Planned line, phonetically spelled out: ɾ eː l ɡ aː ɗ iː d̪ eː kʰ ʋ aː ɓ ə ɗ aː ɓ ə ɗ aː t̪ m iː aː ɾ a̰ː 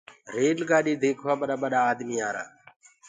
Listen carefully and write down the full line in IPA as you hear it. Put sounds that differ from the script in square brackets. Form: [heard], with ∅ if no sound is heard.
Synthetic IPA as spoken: ɾ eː l ɡ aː ɗ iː d̪ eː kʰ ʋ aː ɓ ə ɗ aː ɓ ə ɗ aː [d̪] m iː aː ɾ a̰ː

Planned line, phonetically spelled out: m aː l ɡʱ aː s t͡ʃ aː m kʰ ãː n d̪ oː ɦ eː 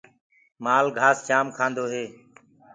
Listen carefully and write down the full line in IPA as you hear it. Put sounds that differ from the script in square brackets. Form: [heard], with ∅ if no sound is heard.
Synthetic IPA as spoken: m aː l ɡʱ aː s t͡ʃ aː m kʰ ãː n d̪ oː ɦ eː

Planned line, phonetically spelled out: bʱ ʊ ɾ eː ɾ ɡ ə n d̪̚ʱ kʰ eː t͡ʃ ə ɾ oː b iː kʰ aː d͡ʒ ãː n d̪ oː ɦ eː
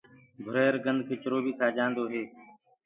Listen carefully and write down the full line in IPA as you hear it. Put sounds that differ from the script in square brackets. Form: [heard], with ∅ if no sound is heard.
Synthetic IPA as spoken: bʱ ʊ ɾ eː ɾ ɡ ə n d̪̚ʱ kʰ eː t͡ʃ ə ɾ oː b iː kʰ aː d͡ʒ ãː n d̪ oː ɦ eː

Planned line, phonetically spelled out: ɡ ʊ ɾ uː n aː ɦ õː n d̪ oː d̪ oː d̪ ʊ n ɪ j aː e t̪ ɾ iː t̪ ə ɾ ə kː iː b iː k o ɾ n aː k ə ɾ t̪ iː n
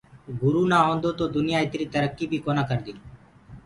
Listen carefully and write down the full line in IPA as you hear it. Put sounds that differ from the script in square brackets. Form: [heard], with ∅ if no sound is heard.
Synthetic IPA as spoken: ɡ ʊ ɾ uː n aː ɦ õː n d̪ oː [t̪] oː d̪ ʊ n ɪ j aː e t̪ ɾ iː t̪ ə ɾ ə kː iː b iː k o [∅] n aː k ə ɾ [d̪] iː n

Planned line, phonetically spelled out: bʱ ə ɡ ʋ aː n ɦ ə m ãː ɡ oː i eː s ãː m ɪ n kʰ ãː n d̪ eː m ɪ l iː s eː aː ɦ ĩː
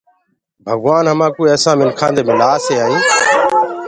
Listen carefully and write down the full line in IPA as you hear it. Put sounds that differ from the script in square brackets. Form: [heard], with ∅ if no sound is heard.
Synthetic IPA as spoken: bʱ ə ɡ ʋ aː n ɦ ə m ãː [k] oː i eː s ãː m ɪ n kʰ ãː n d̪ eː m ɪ l [aː] s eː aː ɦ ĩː

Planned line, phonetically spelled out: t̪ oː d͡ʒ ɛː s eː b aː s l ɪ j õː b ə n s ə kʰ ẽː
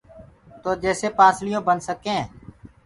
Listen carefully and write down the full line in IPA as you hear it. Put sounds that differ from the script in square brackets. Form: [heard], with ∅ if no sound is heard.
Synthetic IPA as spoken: t̪ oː d͡ʒ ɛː s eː [p] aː s l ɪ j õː b ə n s ə [k] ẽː

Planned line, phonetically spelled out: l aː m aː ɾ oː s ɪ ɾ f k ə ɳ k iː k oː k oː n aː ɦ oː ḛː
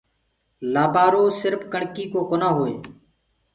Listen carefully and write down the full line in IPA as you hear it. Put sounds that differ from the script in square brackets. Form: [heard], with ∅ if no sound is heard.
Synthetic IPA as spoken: l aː [b] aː ɾ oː s ɪ ɾ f k ə ɳ k iː k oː k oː n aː ɦ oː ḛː

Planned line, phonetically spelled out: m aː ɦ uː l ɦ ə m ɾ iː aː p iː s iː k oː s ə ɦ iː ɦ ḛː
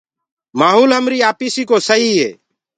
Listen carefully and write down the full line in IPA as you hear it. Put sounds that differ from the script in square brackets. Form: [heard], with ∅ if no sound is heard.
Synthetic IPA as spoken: m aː ɦ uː l ɦ ə m ɾ iː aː p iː s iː k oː s ə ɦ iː ɦ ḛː

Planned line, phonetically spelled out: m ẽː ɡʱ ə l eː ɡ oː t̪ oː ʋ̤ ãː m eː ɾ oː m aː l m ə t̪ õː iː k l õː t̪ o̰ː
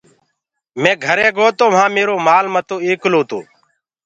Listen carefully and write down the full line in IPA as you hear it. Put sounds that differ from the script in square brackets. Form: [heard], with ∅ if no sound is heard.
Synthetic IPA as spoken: m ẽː ɡʱ ə [ɾ] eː ɡ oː t̪ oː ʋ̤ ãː m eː ɾ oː m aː l m ə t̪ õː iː k l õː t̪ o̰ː

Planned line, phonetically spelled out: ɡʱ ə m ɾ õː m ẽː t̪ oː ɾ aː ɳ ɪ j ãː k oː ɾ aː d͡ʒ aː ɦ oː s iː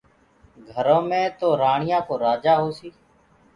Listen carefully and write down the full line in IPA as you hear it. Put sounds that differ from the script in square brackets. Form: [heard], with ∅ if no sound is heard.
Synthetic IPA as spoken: ɡʱ ə [∅] ɾ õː m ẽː t̪ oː ɾ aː ɳ ɪ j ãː k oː ɾ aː d͡ʒ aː ɦ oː s iː

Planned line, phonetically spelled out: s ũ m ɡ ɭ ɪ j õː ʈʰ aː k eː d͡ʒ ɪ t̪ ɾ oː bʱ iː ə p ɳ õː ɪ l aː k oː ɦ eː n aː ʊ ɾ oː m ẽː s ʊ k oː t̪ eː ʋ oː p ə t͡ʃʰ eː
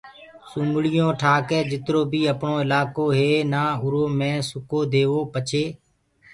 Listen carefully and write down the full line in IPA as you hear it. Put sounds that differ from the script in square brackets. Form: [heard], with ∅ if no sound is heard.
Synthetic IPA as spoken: s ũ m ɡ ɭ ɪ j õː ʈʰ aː k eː d͡ʒ ɪ t̪ ɾ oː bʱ iː ə p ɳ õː ɪ l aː k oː ɦ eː n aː ʊ ɾ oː m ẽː s ʊ k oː [d̪] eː ʋ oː p ə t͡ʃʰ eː

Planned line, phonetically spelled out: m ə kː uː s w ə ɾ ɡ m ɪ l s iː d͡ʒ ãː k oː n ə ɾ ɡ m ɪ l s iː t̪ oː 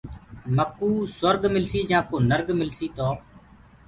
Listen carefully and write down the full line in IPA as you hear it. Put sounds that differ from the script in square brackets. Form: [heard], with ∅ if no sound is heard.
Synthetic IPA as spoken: m ə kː uː s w ə ɾ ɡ m ɪ l s iː d͡ʒ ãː k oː n ə ɾ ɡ m ɪ l s iː t̪ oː

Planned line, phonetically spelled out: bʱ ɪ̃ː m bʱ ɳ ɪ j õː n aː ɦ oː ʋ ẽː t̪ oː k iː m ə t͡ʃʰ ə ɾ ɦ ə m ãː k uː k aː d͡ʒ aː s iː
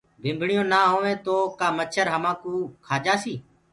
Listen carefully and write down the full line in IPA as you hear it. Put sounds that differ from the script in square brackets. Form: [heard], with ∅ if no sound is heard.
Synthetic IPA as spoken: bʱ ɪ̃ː m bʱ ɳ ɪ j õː n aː ɦ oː ʋ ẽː t̪ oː k [aː] m ə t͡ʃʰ ə ɾ ɦ ə m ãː k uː [kʰ] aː d͡ʒ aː s iː

